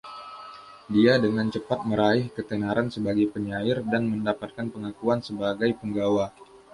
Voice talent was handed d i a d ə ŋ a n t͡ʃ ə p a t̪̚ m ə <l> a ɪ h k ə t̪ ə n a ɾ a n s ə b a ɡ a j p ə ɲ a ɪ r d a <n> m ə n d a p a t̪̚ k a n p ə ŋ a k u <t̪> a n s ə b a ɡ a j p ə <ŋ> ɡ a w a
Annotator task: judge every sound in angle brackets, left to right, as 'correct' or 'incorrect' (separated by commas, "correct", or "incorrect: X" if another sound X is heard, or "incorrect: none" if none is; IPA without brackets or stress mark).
incorrect: ɾ, correct, incorrect: none, correct